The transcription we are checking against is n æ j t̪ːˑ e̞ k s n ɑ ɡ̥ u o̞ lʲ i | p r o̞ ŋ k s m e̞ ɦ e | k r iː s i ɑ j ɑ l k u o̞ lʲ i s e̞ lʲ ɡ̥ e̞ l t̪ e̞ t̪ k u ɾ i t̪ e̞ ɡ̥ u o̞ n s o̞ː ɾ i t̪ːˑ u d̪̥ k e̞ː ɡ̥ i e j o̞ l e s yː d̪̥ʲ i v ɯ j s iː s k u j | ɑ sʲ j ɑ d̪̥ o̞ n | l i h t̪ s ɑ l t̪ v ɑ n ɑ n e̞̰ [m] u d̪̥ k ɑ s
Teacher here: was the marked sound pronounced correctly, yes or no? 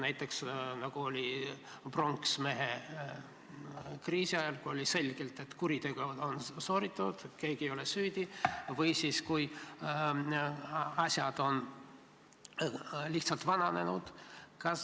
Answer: no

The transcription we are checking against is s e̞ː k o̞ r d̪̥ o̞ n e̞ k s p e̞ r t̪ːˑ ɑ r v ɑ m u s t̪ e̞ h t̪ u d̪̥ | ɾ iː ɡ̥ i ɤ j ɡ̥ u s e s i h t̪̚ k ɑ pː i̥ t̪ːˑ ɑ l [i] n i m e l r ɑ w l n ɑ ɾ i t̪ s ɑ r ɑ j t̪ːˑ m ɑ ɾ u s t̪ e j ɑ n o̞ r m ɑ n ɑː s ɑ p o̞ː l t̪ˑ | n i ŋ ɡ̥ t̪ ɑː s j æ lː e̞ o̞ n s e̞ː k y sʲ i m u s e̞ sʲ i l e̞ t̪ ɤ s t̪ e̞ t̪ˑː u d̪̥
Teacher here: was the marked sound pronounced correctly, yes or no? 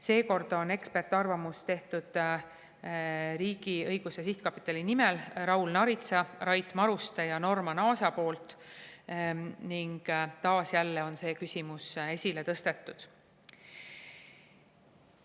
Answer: yes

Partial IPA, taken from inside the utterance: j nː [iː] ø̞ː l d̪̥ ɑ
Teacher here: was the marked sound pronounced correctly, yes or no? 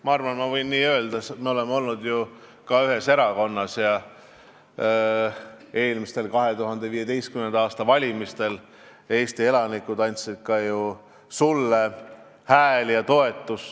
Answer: yes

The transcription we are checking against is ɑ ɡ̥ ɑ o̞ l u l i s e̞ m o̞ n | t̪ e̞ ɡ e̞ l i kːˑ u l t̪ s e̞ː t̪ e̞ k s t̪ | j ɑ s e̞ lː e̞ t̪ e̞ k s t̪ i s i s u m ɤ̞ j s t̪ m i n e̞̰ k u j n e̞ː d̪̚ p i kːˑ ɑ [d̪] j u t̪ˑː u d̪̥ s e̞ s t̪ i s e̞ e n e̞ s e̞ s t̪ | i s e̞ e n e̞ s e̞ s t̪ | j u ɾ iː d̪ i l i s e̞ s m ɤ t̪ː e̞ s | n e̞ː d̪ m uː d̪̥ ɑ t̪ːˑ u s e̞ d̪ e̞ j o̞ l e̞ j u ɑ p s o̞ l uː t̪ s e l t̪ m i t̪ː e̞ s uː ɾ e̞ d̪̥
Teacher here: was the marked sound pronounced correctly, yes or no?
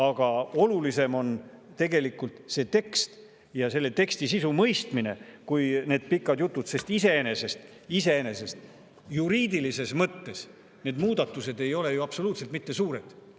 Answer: yes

